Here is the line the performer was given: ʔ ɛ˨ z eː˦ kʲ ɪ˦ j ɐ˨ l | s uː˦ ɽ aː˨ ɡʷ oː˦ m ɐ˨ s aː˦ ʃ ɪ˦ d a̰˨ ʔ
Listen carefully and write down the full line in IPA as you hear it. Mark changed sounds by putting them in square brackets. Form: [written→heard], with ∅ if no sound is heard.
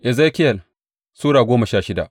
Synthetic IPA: ʔ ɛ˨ z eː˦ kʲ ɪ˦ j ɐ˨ l | s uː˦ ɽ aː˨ ɡʷ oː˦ m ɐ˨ [s→ʃ] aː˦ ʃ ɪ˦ d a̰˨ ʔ